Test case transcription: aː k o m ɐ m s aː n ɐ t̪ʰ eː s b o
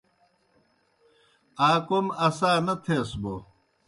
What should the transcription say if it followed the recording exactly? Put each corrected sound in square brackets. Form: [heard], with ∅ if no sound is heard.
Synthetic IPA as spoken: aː k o m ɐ [∅] s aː n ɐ t̪ʰ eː s b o